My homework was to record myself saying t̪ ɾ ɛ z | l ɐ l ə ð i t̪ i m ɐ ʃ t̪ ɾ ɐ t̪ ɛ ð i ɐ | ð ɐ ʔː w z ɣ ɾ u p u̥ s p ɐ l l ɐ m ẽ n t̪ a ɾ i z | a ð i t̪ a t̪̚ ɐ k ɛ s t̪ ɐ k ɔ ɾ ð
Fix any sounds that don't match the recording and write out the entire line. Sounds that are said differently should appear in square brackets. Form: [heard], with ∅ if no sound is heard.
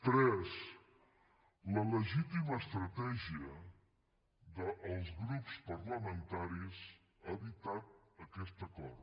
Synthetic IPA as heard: t̪ ɾ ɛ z | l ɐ l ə [ʒ] i t̪ i m ɐ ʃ t̪ ɾ ɐ t̪ ɛ [ʒ] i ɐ | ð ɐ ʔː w z ɣ ɾ u p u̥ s p ɐ [ɾ] l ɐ m ẽ n t̪ a ɾ i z | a ð i t̪ a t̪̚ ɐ k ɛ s t̪ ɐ k ɔ ɾ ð